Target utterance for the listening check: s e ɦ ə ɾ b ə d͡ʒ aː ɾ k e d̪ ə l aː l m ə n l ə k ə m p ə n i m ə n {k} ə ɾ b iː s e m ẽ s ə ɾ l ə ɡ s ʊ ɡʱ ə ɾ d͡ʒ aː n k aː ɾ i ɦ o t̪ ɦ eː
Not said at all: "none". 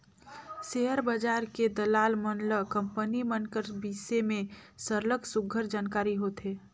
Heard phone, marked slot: k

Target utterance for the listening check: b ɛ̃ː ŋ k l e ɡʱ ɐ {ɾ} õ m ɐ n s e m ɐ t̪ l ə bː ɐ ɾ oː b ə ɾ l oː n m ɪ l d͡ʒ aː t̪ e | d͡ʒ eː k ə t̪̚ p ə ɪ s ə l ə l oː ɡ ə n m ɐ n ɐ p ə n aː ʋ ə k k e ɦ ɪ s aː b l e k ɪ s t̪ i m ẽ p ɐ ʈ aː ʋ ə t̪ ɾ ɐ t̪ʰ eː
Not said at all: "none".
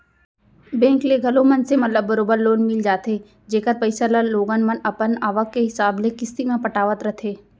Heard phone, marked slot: l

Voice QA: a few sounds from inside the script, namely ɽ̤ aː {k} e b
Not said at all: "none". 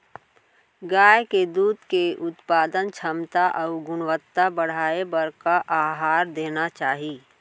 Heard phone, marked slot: none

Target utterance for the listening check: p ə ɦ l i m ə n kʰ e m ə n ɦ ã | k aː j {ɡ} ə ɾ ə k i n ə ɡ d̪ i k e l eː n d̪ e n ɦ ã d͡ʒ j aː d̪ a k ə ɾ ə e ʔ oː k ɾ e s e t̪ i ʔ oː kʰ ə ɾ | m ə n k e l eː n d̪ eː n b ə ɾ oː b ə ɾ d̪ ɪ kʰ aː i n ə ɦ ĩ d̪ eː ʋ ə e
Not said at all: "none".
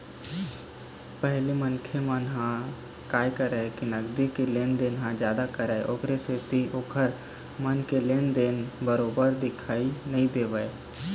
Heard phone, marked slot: k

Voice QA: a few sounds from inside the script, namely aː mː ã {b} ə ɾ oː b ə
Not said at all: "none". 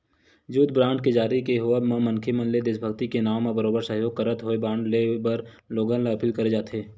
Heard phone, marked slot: b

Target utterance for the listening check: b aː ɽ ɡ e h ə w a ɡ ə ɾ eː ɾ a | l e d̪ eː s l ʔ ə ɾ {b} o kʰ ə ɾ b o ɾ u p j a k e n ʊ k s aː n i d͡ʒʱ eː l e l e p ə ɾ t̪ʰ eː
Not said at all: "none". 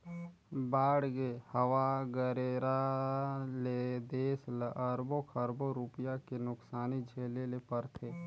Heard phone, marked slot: b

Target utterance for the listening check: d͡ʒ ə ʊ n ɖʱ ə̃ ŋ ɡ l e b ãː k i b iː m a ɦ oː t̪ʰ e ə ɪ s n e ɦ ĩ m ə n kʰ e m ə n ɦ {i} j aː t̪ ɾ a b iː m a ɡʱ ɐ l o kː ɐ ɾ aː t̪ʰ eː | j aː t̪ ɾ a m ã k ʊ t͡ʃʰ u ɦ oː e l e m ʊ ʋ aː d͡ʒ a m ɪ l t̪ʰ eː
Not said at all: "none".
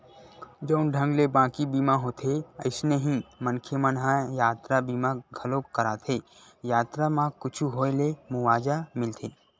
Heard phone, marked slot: a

